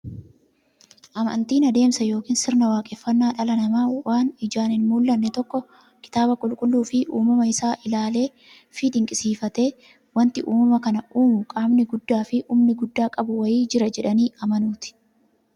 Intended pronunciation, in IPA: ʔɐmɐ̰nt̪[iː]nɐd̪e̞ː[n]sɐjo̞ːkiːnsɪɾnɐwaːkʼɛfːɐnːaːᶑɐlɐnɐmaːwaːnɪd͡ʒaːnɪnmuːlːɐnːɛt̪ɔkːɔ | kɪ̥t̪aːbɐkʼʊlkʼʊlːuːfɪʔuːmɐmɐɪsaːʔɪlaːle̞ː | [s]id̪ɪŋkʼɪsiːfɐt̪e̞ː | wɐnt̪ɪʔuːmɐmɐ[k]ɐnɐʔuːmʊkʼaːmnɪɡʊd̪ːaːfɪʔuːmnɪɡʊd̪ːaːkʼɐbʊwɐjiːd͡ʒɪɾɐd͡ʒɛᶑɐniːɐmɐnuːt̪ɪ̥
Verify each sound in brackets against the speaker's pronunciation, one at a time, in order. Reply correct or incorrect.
correct, incorrect, incorrect, correct

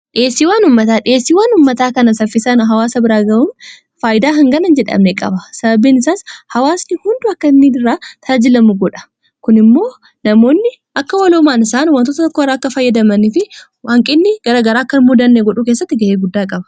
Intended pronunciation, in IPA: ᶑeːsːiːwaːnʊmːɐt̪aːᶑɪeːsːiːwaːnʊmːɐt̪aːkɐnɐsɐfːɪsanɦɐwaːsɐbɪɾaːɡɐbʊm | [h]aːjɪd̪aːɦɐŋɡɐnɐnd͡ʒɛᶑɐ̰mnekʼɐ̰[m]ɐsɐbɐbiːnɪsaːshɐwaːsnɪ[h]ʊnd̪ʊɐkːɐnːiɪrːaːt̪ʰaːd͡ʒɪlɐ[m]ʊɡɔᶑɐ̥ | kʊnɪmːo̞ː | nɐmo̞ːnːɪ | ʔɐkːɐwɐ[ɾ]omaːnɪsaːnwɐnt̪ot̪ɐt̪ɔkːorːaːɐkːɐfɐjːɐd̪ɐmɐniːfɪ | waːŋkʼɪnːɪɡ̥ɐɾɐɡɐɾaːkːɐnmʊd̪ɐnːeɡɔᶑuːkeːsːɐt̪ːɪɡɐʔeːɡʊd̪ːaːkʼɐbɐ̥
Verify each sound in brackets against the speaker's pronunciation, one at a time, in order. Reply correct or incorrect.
incorrect, incorrect, correct, correct, incorrect

